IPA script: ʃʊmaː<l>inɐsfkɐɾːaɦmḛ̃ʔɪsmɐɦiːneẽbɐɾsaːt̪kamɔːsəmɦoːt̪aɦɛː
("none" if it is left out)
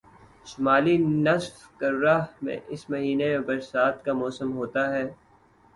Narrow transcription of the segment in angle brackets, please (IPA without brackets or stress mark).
l